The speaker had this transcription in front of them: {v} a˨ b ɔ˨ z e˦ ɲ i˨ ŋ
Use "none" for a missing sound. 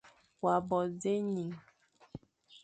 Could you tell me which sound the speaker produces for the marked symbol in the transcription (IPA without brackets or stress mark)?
w